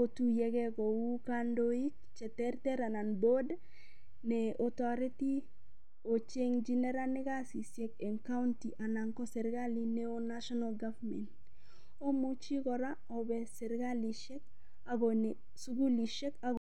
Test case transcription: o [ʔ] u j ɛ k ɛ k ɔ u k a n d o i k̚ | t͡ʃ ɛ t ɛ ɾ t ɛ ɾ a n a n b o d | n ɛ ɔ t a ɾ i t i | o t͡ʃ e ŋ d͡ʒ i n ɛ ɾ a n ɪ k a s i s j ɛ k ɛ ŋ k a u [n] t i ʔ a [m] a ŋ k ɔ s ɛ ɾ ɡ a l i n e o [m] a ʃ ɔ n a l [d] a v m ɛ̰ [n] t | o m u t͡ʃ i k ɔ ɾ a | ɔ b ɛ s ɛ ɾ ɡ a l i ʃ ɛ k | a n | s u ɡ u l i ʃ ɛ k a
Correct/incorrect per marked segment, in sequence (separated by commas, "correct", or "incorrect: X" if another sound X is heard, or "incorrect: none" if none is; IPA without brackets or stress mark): incorrect: t, correct, incorrect: n, incorrect: n, incorrect: ɡ, correct